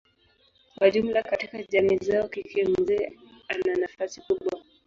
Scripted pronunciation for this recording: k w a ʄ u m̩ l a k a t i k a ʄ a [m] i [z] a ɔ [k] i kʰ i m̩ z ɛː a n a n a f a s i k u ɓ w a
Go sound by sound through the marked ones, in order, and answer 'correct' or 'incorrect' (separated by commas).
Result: correct, correct, correct